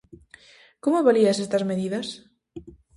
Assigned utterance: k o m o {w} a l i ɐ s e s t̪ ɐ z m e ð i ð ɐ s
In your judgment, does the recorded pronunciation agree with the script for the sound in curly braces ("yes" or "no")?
no